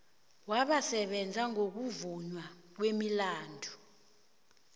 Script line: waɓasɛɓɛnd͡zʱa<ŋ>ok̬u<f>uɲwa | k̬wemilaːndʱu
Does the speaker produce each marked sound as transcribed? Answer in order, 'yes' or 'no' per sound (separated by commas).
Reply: yes, no